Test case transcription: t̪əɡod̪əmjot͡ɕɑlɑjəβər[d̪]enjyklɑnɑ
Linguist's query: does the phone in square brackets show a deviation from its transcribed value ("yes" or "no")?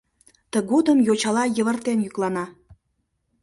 yes